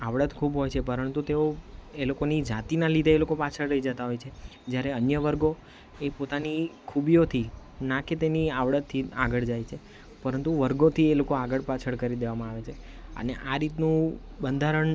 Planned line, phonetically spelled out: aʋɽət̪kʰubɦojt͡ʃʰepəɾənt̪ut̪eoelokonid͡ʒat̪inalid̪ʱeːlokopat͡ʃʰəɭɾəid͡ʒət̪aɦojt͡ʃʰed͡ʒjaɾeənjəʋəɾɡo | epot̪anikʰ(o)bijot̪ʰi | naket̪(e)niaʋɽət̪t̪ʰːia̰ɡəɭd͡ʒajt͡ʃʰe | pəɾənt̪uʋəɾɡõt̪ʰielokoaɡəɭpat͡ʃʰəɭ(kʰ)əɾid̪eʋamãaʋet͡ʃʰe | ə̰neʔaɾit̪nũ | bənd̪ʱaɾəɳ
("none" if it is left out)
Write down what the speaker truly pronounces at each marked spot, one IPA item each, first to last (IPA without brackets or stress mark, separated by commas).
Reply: u, e, k